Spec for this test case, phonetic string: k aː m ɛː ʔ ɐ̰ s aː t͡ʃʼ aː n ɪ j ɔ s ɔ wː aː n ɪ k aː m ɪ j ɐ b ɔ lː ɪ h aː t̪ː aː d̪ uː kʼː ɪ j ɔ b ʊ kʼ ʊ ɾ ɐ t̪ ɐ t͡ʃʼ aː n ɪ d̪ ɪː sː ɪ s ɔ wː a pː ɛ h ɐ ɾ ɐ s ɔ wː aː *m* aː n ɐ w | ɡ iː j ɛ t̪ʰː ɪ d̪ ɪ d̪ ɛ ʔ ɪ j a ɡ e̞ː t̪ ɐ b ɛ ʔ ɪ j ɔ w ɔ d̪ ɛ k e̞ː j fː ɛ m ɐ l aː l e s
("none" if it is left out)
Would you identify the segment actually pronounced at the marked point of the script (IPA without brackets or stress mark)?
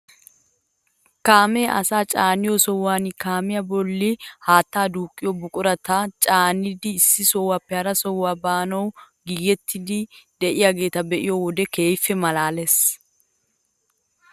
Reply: b